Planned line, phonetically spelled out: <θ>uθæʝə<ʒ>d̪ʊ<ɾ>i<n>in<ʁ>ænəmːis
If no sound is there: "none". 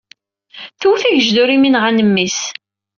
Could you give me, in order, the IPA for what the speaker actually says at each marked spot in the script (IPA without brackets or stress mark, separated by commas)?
θ, ʒ, ɾ, m, ʁ